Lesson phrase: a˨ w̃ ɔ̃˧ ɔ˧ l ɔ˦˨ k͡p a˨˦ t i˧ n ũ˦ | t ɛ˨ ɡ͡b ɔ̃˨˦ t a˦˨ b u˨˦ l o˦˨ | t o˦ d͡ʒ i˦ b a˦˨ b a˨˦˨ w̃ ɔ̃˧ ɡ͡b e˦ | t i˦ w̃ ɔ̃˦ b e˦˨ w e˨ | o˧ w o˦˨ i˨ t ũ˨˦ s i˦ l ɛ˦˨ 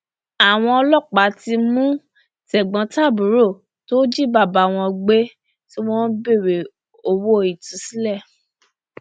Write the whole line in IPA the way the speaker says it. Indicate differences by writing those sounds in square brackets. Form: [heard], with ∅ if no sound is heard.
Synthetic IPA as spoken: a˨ w̃ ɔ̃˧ ɔ˧ l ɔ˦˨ k͡p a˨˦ t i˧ [m] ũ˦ | t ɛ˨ ɡ͡b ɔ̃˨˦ t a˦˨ b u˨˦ [ɾ] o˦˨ | t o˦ d͡ʒ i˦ b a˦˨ b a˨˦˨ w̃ ɔ̃˧ ɡ͡b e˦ | t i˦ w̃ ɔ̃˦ b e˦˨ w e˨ | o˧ w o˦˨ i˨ t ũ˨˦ s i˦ l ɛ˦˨

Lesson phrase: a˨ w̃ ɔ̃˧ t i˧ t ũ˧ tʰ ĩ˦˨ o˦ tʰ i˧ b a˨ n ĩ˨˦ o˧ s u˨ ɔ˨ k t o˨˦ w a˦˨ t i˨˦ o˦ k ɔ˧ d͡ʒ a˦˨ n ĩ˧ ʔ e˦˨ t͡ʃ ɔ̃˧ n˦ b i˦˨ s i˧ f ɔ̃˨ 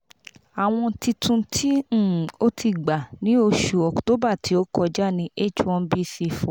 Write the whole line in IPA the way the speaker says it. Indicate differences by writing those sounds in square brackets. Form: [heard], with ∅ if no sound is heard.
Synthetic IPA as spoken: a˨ w̃ ɔ̃˧ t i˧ t ũ˧ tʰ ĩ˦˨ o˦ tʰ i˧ [ɡ͡b] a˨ n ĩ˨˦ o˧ [ʃ] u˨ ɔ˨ k t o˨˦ [b] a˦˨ t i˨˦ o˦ k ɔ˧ d͡ʒ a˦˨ n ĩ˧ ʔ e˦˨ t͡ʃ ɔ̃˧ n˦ b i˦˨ s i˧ f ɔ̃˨

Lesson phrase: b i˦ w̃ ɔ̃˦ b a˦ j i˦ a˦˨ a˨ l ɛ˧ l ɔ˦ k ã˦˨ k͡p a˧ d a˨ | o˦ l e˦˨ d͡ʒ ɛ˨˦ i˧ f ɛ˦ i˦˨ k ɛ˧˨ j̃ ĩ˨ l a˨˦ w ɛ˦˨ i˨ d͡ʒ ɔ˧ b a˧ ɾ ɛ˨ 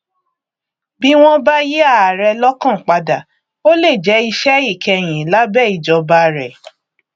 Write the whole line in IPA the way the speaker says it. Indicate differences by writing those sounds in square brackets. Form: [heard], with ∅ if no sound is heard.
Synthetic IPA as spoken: b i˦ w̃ ɔ̃˦ b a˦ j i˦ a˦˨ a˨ [ɾ] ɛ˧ l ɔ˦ k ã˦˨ k͡p a˧ d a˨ | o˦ l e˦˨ d͡ʒ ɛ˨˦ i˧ [ʃ] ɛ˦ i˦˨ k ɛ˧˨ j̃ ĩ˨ l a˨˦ [b] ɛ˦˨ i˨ d͡ʒ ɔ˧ b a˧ ɾ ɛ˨

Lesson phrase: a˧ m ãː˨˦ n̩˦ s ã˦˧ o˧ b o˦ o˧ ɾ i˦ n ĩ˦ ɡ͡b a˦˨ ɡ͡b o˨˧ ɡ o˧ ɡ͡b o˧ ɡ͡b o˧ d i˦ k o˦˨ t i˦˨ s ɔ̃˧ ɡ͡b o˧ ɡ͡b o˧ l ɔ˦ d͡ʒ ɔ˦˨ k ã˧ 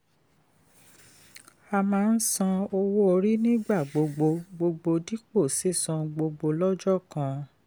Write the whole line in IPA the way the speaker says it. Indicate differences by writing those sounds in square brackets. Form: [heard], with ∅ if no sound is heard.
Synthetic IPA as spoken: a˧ m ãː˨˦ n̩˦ s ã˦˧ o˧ [w] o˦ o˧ ɾ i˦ n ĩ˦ ɡ͡b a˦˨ ɡ͡b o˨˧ [ɡ͡b] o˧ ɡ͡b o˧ ɡ͡b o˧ d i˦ [k͡p] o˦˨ [s] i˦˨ s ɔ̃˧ ɡ͡b o˧ ɡ͡b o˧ l ɔ˦ d͡ʒ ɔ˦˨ k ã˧

